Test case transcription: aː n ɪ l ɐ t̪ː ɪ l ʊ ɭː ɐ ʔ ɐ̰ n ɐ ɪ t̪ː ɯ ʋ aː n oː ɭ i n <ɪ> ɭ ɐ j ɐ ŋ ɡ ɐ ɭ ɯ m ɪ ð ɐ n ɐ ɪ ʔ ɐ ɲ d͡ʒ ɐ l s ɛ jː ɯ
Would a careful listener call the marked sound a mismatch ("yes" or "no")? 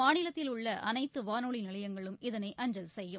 no